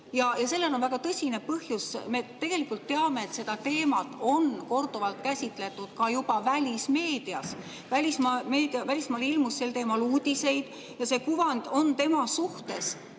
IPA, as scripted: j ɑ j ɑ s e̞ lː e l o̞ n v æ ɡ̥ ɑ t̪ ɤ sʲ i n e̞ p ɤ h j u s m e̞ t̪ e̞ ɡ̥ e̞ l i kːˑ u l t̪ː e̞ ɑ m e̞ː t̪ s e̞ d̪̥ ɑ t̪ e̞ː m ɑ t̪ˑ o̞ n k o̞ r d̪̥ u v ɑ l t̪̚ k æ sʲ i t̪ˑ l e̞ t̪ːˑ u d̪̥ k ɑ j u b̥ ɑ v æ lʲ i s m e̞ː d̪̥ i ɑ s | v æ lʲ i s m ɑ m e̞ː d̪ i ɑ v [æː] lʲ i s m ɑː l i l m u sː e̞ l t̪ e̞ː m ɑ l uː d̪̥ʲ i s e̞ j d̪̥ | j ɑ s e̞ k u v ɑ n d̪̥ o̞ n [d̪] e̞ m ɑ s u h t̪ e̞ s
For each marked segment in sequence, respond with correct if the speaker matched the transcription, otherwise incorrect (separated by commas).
incorrect, incorrect